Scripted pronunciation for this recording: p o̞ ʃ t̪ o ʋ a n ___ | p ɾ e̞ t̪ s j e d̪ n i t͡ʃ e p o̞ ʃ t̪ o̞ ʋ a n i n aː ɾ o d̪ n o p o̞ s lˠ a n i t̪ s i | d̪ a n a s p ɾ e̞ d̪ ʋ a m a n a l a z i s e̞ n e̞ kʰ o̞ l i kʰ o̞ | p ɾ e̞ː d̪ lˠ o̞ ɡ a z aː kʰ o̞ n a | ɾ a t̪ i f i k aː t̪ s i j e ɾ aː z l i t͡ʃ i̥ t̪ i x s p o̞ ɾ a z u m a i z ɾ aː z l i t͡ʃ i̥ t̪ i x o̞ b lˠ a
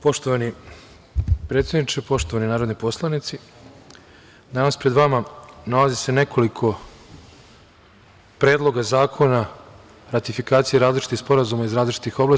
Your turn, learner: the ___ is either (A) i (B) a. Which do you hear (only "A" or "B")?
A